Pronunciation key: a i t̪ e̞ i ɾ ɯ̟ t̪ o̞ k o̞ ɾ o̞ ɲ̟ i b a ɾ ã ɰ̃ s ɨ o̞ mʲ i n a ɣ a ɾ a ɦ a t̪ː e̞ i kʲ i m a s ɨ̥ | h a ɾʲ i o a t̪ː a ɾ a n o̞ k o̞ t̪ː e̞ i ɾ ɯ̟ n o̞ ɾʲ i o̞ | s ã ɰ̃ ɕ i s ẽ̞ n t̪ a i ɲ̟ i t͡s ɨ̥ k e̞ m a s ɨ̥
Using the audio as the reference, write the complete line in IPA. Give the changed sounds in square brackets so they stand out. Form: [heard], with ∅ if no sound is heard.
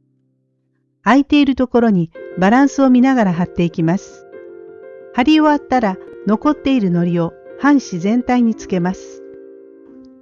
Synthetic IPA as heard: a i t̪ e̞ i ɾ ɯ̟ t̪ o̞ k o̞ ɾ o̞ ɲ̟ i b a ɾ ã ɰ̃ s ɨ o̞ mʲ i n a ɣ a ɾ a ɦ a t̪ː e̞ i kʲ i m a s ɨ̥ | h a ɾʲ i o a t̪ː a ɾ a n o̞ k o̞ t̪ː e̞ i ɾ ɯ̟ n o̞ ɾʲ i o̞ | [h] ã ɰ̃ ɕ i [z] ẽ̞ n t̪ a i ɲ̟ i t͡s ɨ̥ k e̞ m a s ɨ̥